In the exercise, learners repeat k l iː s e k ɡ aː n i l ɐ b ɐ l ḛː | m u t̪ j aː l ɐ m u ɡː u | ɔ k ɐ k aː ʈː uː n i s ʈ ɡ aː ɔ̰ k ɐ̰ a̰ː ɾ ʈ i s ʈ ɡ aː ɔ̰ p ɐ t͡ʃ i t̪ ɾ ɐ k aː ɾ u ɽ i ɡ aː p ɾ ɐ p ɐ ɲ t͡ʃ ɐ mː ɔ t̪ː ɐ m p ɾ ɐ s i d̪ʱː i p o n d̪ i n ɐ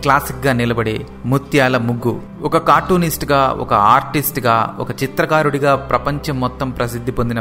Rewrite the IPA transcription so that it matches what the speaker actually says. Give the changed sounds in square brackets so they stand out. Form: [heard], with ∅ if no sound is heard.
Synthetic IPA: k l [aː] s [i] k ɡ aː n i l ɐ b ɐ [ɽ] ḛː | m u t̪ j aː l ɐ m u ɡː u | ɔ k ɐ k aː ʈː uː n i s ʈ ɡ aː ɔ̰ k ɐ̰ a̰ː ɾ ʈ i s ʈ ɡ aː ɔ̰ [k] ɐ t͡ʃ i t̪ ɾ ɐ k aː ɾ u ɽ i ɡ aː p ɾ ɐ p ɐ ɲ t͡ʃ ɐ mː ɔ t̪ː ɐ m p ɾ ɐ s i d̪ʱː i p o n d̪ i n ɐ